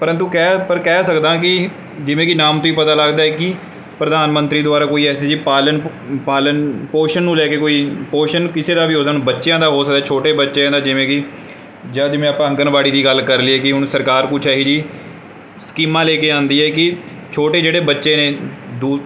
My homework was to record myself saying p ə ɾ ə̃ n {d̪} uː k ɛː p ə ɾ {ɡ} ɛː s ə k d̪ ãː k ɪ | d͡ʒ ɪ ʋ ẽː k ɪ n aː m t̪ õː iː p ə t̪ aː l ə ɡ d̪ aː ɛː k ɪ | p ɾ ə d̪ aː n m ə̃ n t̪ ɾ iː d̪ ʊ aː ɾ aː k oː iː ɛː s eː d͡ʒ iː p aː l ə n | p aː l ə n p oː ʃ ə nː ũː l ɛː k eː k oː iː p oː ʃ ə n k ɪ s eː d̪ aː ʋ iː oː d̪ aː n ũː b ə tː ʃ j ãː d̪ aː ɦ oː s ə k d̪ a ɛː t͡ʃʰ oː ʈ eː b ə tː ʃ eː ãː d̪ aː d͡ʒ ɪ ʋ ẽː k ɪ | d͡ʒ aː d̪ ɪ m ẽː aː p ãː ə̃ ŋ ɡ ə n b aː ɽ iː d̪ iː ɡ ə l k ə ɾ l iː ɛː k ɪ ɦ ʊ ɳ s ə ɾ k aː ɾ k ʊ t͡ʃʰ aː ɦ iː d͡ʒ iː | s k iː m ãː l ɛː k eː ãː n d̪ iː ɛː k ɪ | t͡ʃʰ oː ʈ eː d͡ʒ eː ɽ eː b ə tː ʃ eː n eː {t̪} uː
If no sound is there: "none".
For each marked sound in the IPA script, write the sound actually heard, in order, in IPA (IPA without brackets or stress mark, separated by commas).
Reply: t̪, k, d̪